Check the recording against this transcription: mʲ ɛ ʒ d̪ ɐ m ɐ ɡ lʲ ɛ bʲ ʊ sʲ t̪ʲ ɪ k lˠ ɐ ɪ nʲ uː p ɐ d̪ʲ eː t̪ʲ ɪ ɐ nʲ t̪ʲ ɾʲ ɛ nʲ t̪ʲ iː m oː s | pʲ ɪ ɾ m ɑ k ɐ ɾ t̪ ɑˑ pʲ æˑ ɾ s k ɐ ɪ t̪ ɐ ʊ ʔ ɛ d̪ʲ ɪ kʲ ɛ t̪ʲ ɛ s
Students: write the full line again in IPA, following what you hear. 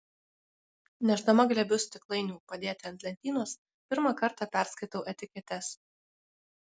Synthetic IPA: nʲ ɛ ʒ d̪ ɐ m ɐ ɡ lʲ ɛ bʲ ʊ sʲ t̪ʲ ɪ k lˠ ɐ ɪ nʲ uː p ɐ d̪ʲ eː t̪ʲ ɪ ɐ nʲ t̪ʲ lʲ ɛ nʲ t̪ʲ iː n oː s | pʲ ɪ ɾ m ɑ k ɐ ɾ t̪ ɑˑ pʲ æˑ ɾ s k ɐ ɪ t̪ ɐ ʊ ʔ ɛ t̪ʲ ɪ kʲ ɛ t̪ʲ ɛ s

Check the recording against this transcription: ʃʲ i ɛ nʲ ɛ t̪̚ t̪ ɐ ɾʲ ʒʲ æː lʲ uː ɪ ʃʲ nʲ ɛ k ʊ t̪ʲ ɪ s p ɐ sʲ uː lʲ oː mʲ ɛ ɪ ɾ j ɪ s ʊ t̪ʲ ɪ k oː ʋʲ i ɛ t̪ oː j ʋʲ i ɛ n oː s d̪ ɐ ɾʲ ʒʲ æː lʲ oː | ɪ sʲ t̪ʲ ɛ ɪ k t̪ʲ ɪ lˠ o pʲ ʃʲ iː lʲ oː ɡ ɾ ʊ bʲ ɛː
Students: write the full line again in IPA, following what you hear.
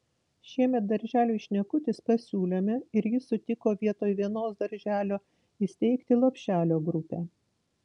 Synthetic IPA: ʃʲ i ɛ mʲ ɛ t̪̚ d̪ ɐ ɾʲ ʒʲ æː lʲ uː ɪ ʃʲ nʲ ɛ k ʊ t̪ʲ ɪ s p ɐ sʲ uː lʲ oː mʲ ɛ ɪ ɾ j ɪ s ʊ t̪ʲ ɪ k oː ʋʲ i ɛ t̪ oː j ʋʲ i ɛ n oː s d̪ ɐ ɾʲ ʒʲ æː lʲ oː | ɪ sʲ t̪ʲ ɛ ɪ k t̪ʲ ɪ lˠ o pʲ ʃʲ æː lʲ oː ɡ ɾ ʊ pʲ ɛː

